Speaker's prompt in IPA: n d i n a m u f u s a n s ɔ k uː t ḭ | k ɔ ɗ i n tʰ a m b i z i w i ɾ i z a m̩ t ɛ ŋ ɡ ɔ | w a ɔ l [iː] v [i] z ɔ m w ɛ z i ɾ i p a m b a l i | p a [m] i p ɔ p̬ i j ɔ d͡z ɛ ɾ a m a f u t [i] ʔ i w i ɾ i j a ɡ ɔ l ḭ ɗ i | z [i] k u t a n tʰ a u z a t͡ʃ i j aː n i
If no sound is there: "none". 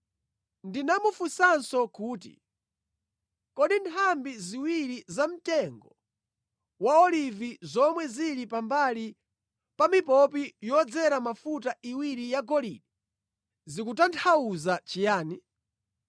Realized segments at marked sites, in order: i, i, m, a, i

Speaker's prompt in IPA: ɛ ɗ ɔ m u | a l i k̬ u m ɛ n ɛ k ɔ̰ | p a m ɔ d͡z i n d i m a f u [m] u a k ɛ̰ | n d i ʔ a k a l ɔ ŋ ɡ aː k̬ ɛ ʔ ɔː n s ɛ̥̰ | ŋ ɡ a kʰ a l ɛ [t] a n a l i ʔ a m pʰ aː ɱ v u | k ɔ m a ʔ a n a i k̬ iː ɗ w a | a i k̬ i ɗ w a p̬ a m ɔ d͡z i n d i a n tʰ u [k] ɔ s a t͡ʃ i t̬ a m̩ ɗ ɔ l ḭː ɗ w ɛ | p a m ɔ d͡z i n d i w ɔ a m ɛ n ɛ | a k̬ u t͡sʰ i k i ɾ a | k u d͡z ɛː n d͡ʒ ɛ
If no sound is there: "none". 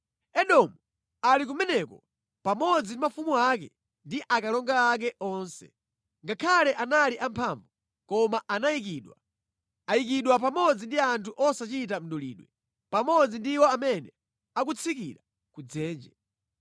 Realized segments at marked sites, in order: m, ʔ, ʔ

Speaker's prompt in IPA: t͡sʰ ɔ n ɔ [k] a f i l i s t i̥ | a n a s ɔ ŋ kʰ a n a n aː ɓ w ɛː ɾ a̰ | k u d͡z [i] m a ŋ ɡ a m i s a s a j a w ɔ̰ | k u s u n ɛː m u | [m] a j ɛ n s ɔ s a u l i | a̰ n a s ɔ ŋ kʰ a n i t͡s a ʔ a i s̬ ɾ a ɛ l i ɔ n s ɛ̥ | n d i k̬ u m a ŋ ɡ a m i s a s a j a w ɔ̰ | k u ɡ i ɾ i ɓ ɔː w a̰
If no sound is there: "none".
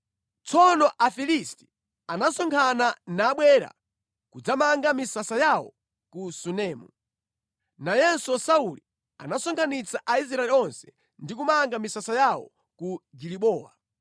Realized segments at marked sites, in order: ʔ, a, n

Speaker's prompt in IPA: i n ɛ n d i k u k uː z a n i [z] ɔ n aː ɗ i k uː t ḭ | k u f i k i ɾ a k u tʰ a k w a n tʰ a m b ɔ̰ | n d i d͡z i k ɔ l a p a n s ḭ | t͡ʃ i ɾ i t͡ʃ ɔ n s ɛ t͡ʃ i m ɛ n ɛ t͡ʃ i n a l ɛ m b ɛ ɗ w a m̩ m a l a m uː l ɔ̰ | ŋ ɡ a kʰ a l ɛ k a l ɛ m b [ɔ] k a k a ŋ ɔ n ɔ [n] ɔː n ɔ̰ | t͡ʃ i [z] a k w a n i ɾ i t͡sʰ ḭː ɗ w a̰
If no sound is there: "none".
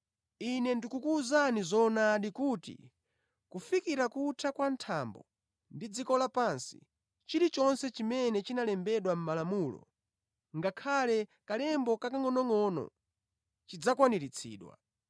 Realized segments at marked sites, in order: z, ɔ, ŋ, d͡z

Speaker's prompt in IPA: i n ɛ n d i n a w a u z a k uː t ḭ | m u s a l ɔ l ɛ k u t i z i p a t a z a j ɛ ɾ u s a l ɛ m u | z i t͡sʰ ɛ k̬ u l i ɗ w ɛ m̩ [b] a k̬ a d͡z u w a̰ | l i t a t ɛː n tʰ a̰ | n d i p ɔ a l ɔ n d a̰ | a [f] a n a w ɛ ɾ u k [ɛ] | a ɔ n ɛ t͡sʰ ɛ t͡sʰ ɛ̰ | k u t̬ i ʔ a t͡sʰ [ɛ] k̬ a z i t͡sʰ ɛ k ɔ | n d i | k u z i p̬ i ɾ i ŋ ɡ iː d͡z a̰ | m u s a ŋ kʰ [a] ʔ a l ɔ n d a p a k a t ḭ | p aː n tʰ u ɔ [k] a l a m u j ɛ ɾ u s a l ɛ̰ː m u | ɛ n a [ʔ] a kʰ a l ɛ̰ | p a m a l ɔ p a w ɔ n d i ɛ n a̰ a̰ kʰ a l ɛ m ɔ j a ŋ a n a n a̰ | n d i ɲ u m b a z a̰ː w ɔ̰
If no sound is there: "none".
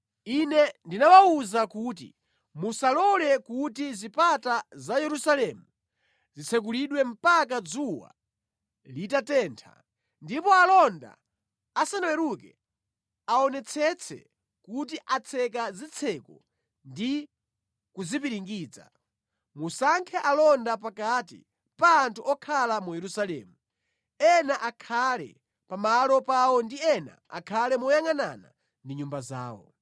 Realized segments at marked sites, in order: p, s, ɛ, ɛ, ɛ, kʰ, ʔ

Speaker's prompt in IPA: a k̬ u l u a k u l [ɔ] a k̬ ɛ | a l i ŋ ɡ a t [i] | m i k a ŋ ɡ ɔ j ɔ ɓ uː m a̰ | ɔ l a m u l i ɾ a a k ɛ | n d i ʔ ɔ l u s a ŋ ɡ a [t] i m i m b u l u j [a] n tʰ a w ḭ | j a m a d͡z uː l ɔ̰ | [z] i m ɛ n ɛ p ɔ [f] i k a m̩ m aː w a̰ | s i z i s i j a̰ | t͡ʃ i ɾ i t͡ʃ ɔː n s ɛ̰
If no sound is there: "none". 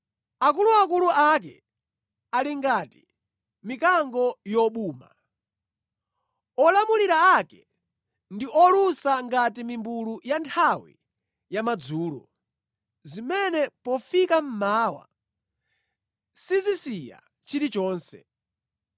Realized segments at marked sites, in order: u, i, t, a, z, f

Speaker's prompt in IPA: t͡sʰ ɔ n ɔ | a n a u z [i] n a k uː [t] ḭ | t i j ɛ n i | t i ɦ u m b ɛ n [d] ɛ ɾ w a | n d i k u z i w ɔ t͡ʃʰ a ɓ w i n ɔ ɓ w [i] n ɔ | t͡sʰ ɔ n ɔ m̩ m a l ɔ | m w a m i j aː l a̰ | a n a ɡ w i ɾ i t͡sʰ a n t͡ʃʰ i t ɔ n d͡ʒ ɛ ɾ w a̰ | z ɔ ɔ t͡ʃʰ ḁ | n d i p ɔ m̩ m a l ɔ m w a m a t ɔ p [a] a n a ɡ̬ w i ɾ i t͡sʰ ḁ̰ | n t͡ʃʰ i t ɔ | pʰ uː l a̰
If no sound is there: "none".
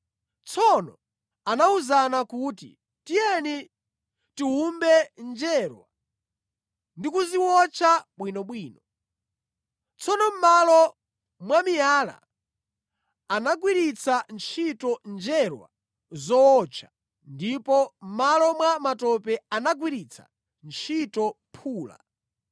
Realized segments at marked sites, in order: a, t, d͡ʒ, iː, ɛ

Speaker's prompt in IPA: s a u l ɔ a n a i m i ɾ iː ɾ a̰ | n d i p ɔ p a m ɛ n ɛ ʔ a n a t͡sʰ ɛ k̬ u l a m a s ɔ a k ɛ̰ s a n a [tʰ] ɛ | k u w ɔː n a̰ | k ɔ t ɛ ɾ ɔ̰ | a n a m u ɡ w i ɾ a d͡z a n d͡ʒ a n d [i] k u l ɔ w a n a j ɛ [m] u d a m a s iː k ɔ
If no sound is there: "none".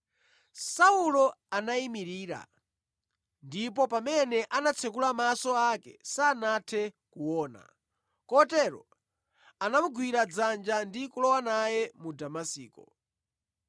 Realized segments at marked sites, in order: tʰ, i, m

